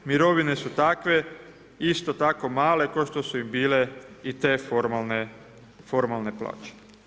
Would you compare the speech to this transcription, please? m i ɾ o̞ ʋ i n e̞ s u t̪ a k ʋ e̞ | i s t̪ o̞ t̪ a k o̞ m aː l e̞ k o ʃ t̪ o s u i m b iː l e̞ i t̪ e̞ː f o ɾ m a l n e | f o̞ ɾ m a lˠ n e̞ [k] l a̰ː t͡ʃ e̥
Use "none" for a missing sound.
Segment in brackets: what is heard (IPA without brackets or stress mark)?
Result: p